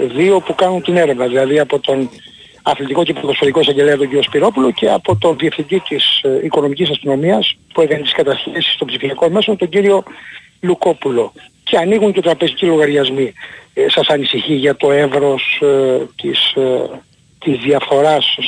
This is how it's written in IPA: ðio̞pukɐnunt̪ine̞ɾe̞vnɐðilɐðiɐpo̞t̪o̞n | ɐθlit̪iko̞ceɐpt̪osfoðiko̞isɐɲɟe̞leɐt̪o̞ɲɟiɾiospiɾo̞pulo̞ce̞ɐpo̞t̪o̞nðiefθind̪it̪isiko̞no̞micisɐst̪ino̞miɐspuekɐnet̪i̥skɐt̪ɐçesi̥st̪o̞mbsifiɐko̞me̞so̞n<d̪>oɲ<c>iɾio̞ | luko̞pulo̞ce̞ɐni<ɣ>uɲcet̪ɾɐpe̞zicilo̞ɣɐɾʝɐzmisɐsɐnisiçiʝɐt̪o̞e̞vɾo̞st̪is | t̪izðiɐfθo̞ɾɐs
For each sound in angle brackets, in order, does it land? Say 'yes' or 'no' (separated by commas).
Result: no, no, yes